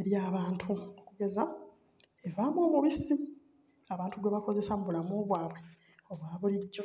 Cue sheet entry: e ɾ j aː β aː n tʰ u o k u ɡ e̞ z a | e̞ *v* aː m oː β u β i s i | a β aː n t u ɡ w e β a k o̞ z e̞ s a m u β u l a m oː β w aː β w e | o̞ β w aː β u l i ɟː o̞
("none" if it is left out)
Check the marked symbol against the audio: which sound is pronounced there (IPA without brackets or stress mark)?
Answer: v